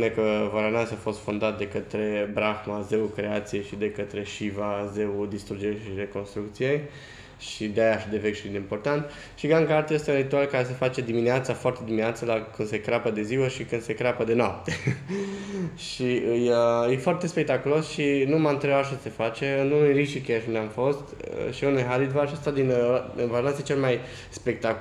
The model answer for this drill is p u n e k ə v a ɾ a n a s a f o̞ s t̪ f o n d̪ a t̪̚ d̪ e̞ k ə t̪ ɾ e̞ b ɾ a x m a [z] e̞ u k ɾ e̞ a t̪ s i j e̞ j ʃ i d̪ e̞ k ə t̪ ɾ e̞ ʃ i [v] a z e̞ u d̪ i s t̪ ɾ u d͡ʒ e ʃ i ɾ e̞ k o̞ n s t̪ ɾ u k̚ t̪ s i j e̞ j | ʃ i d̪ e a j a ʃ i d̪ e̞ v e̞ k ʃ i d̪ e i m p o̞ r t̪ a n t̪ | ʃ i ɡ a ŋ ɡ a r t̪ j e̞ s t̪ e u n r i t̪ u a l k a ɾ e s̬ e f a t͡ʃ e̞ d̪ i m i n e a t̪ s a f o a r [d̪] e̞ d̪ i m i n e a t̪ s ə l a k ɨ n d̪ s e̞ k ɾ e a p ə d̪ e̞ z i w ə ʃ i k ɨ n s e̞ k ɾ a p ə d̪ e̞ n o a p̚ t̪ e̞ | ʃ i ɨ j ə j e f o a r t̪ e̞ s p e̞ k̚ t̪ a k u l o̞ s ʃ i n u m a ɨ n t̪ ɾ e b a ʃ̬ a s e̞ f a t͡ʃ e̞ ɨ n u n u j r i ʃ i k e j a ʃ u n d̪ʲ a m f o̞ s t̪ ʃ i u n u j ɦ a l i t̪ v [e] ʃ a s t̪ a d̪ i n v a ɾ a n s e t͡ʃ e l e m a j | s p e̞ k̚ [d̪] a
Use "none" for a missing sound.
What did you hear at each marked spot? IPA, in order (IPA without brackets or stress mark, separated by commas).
z, v, t̪, a, t̪